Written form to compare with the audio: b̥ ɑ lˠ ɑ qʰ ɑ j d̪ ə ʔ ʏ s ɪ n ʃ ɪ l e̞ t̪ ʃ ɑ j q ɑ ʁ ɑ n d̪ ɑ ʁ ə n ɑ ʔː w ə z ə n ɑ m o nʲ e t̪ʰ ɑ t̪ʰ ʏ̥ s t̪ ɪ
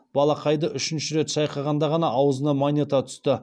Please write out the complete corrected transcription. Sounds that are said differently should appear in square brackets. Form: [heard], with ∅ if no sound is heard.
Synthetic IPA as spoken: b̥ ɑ lˠ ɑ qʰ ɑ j d̪ ə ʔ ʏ [ʃ] ɪ n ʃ ɪ [ɾ] e̞ t̪ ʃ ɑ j q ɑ ʁ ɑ n d̪ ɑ ʁ [ɑ] n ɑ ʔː w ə z ə n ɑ m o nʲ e [t̪] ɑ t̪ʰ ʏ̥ s t̪ ɪ